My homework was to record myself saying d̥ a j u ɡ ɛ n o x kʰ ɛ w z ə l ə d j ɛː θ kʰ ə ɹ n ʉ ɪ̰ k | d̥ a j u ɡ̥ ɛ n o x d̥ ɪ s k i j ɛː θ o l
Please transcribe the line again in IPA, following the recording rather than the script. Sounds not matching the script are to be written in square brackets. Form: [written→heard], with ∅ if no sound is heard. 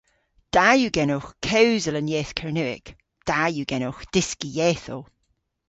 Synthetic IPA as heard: d̥ a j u ɡ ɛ n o x kʰ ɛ w z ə l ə [d→n] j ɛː θ kʰ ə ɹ n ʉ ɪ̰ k | d̥ a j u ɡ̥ ɛ n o x d̥ ɪ s k i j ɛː θ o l

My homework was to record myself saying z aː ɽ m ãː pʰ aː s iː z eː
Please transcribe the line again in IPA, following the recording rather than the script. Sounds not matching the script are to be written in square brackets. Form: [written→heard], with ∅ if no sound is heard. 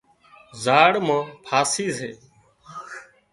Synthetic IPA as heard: z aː ɽ m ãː pʰ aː s iː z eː

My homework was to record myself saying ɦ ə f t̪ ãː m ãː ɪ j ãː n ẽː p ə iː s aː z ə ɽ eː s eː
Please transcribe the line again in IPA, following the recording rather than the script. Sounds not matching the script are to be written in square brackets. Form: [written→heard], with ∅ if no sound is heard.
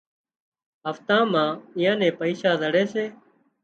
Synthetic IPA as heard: ɦ ə f t̪ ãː m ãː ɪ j ãː n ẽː p ə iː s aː z ə ɽ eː s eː

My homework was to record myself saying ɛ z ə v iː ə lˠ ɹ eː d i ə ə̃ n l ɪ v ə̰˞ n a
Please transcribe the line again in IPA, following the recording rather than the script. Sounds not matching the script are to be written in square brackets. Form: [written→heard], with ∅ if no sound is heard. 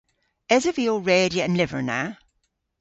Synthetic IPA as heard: ɛ z ə v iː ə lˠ ɹ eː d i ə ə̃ n l ɪ v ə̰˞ n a

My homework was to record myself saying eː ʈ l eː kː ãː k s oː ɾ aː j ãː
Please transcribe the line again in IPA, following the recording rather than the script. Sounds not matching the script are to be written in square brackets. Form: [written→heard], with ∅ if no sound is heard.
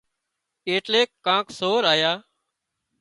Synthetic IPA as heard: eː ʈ l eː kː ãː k s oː ɾ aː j [ãː→aː]

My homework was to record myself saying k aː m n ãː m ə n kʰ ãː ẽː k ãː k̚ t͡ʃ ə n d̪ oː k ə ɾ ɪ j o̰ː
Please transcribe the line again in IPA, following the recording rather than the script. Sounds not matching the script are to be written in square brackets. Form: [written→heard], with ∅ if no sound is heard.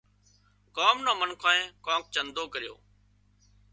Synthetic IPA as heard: k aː m n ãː m ə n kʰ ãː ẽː k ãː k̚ t͡ʃ ə n d̪ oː k ə ɾ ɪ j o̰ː

